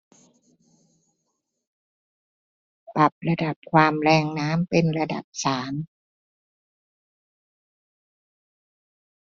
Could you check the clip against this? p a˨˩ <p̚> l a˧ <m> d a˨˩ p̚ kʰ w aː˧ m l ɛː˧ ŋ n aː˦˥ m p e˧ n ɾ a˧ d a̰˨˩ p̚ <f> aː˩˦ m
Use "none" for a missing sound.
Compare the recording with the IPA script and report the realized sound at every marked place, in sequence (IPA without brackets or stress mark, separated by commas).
p̚, none, s